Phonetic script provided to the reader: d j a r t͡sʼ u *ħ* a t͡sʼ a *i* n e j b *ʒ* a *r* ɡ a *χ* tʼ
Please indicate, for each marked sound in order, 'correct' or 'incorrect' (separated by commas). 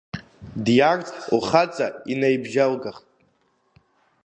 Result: incorrect, correct, correct, incorrect, correct